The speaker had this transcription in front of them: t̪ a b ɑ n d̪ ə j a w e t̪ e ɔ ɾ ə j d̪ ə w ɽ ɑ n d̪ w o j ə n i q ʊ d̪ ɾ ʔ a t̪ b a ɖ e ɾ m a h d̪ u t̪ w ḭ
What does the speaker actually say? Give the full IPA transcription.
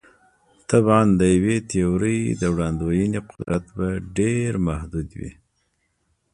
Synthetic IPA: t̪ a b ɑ n d̪ ə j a w e t̪ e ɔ ɾ ə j d̪ ə w ɽ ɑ n d̪ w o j ə n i q ʊ d̪ ɾ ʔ a t̪ b a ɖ e ɾ m a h d̪ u d̪ w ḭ